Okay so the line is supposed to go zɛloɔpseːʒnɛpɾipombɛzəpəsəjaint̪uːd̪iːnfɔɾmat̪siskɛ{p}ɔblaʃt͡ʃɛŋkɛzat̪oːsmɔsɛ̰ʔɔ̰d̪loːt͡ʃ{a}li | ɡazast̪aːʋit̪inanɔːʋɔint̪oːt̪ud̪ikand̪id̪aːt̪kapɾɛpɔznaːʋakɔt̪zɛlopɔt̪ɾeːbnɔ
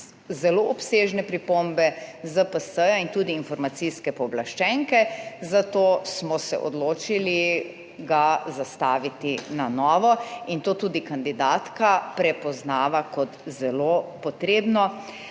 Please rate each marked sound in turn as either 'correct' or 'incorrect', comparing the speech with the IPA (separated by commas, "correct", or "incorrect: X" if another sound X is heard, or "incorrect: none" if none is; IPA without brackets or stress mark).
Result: correct, incorrect: i